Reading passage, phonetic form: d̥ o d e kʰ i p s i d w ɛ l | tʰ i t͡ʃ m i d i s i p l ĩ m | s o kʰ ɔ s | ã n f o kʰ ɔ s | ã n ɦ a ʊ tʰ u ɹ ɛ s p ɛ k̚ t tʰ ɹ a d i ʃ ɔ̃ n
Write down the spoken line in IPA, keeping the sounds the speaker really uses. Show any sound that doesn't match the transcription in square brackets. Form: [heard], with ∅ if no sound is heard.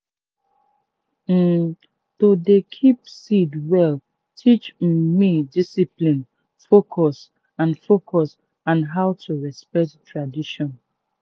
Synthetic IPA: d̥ o d e kʰ i p s i d w ɛ l | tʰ i t͡ʃ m i d i s i p l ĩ [n] | [f] o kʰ ɔ s | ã n f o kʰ ɔ s | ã n ɦ a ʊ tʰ u ɹ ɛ s p ɛ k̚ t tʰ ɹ a d i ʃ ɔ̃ n